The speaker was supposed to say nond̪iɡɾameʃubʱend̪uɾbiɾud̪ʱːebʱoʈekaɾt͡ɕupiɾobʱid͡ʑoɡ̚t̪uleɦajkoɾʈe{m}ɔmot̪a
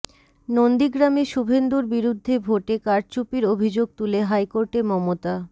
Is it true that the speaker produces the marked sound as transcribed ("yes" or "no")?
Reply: yes